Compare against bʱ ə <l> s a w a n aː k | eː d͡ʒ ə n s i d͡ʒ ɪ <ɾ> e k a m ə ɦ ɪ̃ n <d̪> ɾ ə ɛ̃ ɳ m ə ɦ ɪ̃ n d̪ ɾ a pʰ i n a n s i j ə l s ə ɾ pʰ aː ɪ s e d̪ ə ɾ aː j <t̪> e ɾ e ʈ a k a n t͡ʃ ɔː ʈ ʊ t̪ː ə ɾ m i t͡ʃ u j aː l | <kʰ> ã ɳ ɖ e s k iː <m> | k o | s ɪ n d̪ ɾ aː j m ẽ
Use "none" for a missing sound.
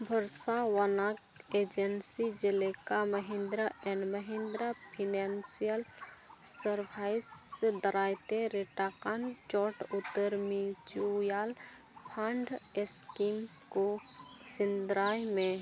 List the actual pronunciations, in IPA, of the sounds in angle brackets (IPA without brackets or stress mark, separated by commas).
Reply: ɾ, l, d̪, t̪, pʰ, m